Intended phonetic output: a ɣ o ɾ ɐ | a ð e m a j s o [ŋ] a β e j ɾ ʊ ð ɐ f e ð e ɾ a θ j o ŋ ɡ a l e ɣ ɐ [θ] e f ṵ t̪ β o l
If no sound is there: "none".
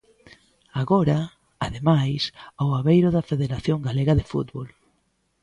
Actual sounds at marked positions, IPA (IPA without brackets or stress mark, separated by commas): none, ð